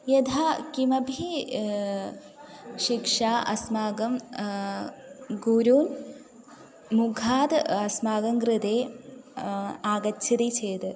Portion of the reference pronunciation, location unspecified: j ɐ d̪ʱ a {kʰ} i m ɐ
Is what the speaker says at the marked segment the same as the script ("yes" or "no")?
no